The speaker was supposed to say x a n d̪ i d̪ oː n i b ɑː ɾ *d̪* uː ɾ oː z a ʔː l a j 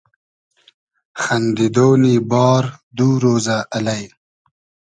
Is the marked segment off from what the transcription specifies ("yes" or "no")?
no